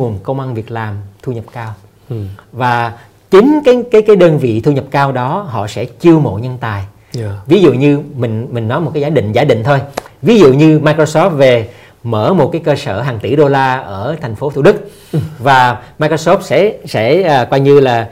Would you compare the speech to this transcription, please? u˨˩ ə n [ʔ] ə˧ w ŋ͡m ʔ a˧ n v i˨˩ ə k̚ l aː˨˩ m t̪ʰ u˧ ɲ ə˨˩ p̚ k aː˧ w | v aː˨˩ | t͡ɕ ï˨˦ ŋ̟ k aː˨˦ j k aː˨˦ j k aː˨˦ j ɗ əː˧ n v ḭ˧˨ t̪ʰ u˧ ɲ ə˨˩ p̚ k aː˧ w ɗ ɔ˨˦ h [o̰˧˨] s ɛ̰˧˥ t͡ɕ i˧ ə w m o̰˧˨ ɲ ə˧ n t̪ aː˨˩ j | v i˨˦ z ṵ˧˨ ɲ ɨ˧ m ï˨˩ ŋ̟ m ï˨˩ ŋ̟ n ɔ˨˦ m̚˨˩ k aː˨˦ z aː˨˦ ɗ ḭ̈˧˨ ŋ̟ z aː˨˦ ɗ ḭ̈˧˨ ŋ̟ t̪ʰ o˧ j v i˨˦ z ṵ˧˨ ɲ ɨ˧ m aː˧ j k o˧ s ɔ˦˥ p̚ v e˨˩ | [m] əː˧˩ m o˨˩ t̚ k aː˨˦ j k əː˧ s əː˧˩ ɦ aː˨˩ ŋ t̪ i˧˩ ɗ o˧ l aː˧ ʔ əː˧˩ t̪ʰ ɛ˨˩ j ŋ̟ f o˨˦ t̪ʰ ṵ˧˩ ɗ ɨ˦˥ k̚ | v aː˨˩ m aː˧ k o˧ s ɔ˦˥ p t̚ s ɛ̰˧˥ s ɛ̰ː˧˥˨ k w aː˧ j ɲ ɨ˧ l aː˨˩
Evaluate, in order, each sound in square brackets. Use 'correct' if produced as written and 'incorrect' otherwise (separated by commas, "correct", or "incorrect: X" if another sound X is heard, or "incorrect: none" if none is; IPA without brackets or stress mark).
incorrect: k, incorrect: ɔ̰˧˨, correct